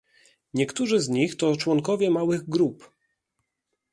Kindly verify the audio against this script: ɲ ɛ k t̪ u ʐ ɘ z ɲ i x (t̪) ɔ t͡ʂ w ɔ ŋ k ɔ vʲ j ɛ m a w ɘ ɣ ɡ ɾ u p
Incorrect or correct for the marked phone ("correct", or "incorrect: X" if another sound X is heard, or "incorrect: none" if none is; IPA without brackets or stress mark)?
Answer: correct